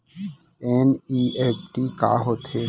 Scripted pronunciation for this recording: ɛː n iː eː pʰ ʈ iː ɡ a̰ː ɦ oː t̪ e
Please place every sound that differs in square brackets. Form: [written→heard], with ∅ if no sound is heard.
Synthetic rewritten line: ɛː n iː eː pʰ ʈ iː [ɡ→k] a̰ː ɦ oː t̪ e